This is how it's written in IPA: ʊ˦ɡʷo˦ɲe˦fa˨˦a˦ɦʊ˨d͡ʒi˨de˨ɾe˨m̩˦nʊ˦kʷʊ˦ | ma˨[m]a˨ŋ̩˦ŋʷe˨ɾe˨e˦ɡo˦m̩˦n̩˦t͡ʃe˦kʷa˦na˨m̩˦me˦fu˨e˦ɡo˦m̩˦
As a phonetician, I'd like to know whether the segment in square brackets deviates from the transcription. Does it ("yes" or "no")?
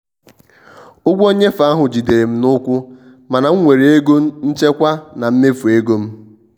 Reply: yes